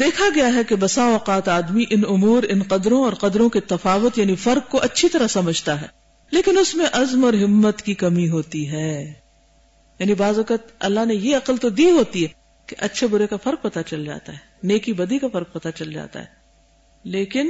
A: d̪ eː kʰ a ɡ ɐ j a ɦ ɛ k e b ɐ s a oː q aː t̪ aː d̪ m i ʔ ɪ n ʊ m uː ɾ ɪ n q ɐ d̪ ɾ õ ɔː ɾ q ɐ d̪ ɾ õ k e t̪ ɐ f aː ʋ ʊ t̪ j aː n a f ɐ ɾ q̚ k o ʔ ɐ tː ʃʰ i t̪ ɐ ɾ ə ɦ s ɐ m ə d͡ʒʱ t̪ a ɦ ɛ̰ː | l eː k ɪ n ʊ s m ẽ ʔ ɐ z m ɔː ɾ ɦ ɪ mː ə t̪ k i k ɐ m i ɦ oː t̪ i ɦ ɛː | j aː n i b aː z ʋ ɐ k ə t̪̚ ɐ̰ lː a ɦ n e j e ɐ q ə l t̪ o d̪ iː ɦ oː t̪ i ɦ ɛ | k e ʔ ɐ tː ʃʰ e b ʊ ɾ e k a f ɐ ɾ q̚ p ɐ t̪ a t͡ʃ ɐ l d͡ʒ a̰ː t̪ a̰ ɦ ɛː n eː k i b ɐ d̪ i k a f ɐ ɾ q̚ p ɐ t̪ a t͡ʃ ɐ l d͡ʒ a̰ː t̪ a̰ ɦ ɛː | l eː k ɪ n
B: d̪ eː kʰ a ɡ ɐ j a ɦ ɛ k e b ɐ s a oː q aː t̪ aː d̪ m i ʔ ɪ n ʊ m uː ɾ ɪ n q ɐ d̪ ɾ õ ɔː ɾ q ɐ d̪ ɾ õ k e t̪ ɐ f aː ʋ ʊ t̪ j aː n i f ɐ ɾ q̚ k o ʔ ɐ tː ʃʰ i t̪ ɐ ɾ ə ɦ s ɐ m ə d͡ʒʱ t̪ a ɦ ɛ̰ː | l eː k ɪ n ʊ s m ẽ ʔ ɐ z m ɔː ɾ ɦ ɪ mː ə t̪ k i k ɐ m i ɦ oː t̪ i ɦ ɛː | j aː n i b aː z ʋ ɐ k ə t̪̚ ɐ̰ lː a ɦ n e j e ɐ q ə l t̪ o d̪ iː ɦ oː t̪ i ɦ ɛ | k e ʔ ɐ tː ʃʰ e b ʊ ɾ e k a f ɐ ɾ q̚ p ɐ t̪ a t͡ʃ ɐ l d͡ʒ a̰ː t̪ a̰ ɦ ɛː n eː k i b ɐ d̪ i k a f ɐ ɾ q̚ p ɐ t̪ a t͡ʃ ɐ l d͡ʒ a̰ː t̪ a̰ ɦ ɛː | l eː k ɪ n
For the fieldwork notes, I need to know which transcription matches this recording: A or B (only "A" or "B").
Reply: B